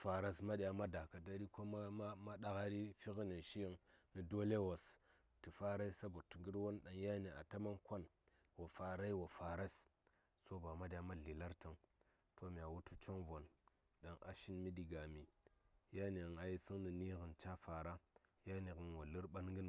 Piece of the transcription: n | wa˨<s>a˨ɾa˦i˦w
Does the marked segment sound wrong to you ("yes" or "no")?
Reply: yes